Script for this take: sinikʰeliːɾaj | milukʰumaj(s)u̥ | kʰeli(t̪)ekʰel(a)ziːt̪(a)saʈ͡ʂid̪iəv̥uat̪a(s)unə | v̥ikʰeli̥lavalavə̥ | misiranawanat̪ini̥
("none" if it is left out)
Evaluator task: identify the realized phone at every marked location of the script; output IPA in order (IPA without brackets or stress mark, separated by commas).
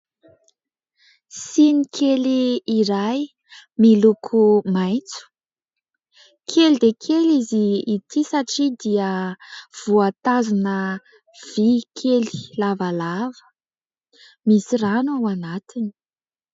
t͡s, d̪, i, i, z